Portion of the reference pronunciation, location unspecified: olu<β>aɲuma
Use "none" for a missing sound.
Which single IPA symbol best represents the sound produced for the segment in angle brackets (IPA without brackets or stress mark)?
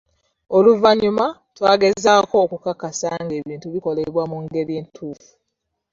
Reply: v